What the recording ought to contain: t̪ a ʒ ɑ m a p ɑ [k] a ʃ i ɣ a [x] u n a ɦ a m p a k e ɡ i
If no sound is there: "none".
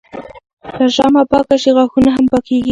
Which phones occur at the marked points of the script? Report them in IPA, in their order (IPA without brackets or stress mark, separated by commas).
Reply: k, x